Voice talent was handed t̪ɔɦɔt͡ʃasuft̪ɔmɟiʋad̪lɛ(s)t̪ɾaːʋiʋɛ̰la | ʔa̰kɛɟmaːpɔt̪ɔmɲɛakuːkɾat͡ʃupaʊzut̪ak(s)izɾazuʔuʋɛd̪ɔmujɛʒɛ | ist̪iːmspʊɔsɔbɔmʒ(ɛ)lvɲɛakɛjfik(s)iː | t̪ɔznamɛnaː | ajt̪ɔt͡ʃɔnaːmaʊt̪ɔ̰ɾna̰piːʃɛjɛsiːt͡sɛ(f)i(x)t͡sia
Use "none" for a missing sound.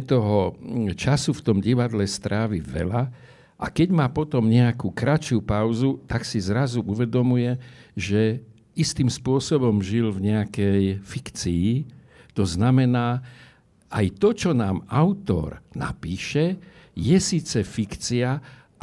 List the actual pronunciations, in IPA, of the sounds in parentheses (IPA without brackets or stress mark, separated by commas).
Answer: s, s, i, t͡s, f, k